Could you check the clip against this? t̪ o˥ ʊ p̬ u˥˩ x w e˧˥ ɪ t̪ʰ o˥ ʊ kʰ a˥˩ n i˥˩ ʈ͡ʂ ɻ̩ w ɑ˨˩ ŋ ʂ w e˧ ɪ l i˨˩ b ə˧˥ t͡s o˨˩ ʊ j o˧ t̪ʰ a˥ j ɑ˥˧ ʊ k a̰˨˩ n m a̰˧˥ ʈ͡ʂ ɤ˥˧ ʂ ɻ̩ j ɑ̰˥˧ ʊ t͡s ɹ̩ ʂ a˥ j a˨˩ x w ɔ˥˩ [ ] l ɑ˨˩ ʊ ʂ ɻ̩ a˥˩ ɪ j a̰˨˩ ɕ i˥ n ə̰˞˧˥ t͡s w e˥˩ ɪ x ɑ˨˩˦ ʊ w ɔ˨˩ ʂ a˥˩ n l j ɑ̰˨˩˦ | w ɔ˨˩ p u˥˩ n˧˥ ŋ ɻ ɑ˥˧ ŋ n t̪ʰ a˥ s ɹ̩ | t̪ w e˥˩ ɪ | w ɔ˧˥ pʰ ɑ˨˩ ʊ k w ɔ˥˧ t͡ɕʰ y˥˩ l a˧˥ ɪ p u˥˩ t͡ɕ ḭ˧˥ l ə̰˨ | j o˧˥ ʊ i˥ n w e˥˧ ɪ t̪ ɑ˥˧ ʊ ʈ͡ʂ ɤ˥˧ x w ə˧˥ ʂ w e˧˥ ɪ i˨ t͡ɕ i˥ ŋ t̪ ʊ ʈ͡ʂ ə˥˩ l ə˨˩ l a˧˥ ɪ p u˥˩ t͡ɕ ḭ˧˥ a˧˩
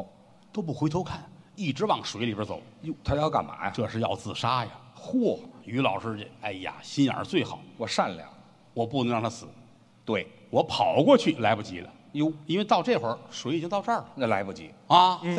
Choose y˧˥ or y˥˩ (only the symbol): y˧˥